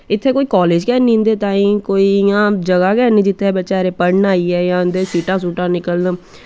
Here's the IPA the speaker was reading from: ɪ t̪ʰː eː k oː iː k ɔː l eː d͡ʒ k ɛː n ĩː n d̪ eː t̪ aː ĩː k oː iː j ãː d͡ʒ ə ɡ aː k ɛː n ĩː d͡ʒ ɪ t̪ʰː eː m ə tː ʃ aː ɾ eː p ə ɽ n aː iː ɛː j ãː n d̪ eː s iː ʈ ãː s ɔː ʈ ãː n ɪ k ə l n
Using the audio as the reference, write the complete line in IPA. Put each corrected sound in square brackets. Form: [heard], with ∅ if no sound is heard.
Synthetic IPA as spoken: ɪ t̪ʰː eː k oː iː k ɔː l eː d͡ʒ k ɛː n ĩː n d̪ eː t̪ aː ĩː k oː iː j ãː d͡ʒ ə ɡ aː k ɛː n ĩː d͡ʒ ɪ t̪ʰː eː [b] ə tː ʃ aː ɾ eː p ə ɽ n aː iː ɛː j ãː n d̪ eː s iː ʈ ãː s [uː] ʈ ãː n ɪ k ə l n